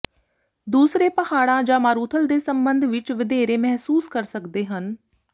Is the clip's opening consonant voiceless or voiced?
voiced